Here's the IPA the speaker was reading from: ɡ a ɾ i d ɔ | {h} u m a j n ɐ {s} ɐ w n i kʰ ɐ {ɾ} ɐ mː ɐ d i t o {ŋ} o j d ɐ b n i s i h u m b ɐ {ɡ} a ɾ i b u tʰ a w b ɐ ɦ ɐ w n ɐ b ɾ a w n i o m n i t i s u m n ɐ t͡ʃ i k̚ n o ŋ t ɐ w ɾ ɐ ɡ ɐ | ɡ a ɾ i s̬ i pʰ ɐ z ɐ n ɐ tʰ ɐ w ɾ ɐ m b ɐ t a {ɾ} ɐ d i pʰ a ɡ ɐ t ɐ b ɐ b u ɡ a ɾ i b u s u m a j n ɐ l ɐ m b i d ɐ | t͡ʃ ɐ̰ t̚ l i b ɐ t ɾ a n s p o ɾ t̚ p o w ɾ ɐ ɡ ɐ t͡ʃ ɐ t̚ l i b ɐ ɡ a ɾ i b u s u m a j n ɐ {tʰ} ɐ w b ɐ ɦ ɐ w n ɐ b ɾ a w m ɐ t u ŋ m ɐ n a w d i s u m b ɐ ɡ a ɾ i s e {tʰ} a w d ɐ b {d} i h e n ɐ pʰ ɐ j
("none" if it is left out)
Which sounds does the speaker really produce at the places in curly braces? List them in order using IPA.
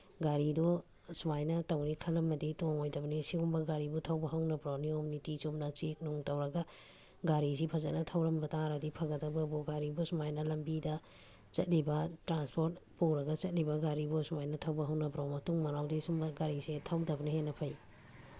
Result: s, t, l, ŋ, ɡ, ɾ, tʰ, tʰ, n

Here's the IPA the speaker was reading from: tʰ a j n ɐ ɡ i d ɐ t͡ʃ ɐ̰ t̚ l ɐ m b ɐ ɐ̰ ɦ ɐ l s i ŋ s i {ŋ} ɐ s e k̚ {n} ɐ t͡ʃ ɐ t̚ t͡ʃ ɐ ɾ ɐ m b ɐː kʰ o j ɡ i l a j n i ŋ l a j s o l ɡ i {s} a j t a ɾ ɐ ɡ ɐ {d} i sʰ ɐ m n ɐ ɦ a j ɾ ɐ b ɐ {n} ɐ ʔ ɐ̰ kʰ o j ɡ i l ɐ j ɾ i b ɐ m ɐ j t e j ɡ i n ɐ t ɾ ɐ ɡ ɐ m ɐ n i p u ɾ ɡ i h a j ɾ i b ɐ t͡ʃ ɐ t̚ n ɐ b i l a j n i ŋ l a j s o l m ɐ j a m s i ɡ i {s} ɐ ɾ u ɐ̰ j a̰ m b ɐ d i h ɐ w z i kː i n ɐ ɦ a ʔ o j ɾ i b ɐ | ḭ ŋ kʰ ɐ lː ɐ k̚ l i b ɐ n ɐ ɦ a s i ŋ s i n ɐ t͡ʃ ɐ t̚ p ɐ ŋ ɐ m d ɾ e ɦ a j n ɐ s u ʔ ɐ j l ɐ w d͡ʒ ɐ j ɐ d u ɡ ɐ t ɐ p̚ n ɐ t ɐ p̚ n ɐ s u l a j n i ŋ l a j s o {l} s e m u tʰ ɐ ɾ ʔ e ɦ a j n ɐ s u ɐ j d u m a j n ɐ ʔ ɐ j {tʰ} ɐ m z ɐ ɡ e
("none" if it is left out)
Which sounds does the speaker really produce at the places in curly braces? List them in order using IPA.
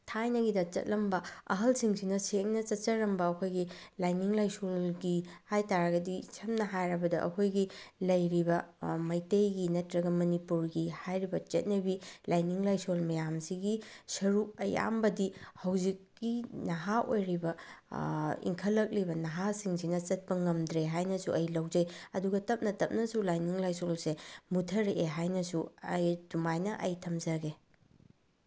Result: n, n, h, d, d, s, l, tʰ

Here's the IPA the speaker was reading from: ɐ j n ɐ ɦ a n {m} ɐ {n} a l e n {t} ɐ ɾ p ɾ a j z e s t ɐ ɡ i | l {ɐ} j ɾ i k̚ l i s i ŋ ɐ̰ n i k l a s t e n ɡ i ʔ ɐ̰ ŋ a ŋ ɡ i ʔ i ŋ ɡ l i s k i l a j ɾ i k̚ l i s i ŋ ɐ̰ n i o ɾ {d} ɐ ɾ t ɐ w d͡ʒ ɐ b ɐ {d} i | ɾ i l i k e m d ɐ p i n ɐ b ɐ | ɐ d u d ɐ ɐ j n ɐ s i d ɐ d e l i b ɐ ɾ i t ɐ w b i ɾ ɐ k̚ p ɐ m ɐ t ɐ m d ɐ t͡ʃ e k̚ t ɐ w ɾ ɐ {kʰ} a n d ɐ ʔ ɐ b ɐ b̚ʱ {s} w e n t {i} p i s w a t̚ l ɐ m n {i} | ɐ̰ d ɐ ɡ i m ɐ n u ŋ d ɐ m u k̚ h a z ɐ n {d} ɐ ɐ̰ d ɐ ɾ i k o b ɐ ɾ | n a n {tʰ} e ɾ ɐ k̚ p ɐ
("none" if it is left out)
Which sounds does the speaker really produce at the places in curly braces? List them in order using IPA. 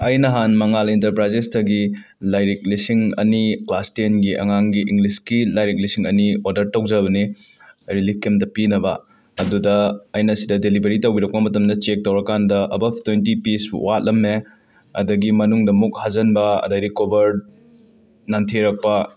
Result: m, ŋ, t, a, d, n, k, t, i, e, b, tʰ

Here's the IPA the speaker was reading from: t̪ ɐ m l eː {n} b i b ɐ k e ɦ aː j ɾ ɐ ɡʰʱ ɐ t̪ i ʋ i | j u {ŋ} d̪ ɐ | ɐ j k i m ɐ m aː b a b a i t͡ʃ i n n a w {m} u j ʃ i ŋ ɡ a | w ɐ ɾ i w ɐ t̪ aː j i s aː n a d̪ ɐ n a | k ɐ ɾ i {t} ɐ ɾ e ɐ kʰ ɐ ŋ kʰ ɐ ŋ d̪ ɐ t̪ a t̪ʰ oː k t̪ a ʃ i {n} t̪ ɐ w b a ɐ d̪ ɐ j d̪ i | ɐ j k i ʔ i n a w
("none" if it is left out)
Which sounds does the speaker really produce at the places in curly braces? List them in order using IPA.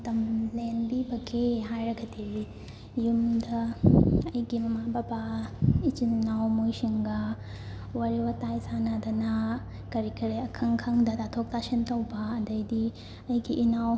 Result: n, m, m, k, n

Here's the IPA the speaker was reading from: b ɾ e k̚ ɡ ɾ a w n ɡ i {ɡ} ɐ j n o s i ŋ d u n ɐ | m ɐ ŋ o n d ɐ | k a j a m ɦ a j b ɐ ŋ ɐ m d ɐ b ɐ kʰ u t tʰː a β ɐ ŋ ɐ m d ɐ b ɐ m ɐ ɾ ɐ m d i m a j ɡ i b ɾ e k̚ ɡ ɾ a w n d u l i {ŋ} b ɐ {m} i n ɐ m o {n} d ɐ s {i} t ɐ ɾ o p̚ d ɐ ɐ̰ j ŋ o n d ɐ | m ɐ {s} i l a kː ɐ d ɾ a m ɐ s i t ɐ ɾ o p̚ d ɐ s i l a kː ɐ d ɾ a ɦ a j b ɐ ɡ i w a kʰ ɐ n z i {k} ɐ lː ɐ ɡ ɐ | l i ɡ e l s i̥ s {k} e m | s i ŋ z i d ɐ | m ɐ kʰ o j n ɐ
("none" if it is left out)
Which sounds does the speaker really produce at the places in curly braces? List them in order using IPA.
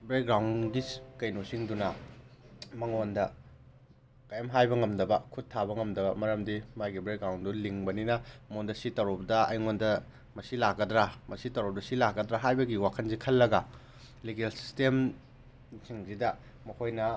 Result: k, ŋ, n, n, i, s, kʰ, t

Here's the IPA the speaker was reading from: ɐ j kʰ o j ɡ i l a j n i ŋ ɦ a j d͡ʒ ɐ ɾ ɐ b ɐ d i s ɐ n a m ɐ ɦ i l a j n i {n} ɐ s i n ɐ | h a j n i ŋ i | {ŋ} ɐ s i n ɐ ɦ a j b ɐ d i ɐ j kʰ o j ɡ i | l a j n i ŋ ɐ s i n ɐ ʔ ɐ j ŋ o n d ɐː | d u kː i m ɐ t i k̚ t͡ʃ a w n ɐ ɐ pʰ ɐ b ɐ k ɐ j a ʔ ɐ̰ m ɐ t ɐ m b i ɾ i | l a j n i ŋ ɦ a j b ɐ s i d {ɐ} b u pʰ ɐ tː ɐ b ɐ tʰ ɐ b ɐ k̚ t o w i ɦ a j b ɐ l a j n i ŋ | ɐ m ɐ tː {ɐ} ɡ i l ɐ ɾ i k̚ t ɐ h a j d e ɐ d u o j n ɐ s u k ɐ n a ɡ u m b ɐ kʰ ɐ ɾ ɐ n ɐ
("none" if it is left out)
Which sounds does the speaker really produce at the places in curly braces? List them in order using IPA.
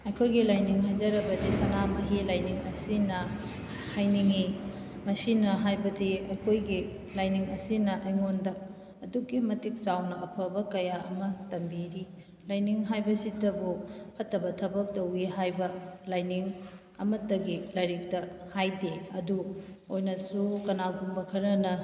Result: ŋ, m, ɐ, ɐ

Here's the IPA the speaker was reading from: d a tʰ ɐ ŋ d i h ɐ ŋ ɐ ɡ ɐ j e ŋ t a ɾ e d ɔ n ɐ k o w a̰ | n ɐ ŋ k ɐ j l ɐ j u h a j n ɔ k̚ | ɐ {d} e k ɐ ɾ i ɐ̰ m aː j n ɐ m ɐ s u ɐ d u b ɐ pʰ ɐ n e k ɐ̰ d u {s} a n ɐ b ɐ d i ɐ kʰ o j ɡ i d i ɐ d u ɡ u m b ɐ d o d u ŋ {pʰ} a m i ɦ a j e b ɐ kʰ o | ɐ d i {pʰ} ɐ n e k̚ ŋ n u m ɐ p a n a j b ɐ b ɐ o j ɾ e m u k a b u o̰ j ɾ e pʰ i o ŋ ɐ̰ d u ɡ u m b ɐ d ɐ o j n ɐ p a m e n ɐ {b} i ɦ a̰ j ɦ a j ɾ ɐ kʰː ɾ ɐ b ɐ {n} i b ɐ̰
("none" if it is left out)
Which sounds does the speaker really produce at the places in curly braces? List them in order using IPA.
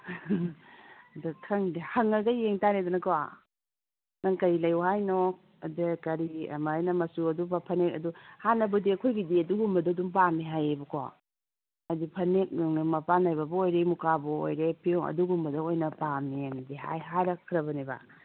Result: d, h, p, pʰ, d, n

